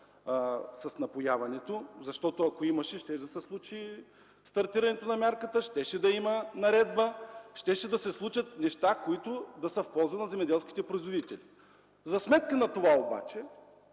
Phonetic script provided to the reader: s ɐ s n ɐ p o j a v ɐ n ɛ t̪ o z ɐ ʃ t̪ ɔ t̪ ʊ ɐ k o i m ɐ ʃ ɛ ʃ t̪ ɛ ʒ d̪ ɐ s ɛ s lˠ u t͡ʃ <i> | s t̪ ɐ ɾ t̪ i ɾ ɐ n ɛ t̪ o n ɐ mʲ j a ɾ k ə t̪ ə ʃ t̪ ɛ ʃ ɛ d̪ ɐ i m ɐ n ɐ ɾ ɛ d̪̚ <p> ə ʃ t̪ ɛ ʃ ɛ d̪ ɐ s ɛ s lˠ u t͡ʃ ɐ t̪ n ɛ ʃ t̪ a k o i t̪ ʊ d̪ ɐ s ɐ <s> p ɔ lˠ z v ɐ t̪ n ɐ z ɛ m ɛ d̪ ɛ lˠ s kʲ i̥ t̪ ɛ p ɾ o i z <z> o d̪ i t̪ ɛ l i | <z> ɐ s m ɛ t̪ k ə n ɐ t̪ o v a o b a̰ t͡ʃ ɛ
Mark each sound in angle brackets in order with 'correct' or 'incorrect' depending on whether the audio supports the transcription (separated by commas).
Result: correct, incorrect, incorrect, incorrect, correct